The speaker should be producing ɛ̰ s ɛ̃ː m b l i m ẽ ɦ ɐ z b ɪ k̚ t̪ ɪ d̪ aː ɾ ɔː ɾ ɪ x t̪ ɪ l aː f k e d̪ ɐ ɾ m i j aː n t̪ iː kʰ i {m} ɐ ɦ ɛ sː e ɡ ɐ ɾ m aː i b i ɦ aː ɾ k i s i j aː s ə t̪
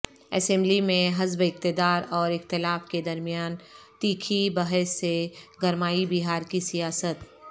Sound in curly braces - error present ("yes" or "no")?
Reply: yes